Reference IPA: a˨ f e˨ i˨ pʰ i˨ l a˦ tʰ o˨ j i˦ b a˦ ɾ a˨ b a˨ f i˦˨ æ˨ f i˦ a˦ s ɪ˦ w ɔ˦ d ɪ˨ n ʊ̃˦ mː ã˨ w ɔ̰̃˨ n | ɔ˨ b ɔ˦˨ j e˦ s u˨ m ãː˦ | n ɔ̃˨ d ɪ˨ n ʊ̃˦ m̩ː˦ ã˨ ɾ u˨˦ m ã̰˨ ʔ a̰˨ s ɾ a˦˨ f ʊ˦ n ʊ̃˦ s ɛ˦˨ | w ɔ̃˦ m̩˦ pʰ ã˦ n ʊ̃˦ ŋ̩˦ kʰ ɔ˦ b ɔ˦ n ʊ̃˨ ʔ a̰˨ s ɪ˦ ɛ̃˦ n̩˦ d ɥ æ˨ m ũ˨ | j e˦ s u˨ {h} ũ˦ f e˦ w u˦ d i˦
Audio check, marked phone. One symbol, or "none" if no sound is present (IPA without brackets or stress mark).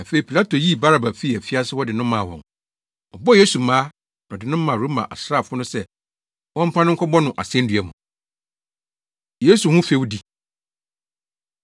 h